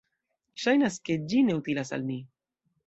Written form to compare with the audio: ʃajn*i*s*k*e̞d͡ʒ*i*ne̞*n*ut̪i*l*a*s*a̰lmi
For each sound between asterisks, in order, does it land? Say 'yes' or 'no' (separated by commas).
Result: no, yes, yes, no, yes, yes